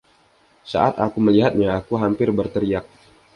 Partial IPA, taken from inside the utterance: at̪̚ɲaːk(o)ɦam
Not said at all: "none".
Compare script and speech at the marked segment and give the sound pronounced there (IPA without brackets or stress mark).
u